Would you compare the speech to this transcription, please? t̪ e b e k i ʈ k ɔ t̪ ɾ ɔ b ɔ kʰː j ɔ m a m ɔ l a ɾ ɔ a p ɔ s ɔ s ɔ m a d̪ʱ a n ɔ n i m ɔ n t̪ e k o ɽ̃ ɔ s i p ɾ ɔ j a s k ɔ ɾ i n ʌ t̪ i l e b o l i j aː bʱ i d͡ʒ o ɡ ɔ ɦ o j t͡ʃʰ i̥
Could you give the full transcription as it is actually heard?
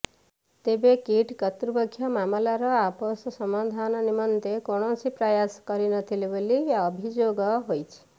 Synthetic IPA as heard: t̪ e b e k i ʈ k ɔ t̪ ɾ u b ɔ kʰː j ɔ m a m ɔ l a ɾ ɔ a p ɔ s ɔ s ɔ m a d̪ʱ a n ɔ n i m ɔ n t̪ e k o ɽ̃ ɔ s i p ɾ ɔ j a s k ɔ ɾ i n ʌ t̪ʰ i l e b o l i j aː bʱ i d͡ʒ o ɡ ɔ ɦ o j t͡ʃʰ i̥